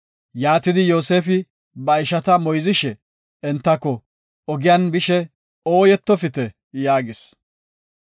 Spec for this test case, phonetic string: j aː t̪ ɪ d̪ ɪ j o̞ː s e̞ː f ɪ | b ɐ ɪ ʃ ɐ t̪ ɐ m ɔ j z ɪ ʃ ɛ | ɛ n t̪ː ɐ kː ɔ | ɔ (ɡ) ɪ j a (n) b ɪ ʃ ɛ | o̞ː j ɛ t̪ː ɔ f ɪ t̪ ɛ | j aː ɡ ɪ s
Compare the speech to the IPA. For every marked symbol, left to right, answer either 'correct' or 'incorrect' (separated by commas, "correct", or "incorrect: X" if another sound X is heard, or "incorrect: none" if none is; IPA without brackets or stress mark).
correct, correct